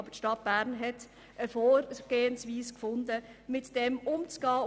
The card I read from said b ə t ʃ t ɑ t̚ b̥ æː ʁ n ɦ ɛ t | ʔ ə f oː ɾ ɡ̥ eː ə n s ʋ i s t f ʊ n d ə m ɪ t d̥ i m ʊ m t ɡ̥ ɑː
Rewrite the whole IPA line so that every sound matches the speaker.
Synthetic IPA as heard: b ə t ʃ t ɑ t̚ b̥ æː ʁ n ɦ ɛ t | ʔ ə f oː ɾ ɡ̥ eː ə n s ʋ iː s k f ʊ n d ə m ɪ t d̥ ɛ m ʊ m t͡s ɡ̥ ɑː